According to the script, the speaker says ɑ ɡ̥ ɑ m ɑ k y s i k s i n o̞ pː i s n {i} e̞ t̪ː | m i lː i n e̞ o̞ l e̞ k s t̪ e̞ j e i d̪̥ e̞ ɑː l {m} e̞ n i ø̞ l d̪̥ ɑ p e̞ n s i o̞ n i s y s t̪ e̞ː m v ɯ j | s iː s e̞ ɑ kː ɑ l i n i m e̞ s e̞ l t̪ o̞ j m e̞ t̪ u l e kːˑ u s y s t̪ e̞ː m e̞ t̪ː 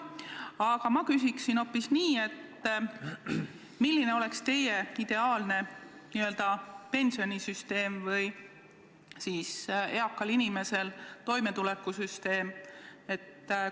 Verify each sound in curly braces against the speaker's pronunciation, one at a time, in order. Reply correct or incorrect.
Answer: incorrect: iː, incorrect: n

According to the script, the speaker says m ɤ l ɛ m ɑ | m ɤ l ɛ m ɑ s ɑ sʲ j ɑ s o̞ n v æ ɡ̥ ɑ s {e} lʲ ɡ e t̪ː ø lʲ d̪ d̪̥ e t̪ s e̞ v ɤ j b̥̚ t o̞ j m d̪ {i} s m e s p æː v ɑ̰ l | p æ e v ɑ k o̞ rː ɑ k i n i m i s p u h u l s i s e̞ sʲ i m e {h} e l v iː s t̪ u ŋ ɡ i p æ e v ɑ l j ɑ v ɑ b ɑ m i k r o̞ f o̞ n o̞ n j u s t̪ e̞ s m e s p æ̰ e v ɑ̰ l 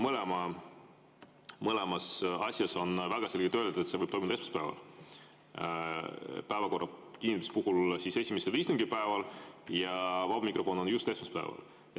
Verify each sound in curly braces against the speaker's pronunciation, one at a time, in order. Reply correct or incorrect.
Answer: correct, incorrect: e, incorrect: s

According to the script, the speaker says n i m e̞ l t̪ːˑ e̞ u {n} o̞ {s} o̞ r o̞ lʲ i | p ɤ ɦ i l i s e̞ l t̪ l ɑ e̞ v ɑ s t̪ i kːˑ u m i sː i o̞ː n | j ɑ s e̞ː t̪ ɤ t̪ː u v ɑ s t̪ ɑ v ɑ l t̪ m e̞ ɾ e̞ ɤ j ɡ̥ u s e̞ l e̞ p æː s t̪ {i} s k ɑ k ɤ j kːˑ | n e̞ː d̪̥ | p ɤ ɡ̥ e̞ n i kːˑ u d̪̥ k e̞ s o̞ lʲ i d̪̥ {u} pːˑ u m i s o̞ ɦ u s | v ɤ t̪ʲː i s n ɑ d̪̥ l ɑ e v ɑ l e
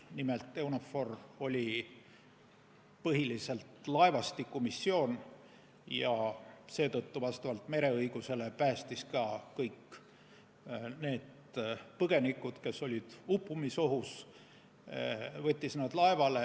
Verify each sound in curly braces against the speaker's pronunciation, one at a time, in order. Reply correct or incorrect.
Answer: correct, incorrect: f, correct, correct

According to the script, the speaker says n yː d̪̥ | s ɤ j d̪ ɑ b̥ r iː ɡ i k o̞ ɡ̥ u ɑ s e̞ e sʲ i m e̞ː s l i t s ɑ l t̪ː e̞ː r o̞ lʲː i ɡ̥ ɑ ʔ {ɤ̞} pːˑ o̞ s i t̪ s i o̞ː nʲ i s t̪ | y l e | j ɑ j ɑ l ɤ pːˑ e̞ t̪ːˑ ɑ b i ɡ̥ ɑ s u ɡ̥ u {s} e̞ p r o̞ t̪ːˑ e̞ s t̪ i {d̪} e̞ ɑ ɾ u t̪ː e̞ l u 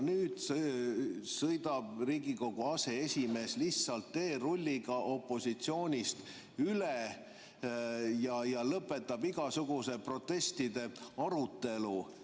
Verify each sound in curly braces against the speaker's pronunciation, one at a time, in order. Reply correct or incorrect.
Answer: incorrect: o̞, correct, correct

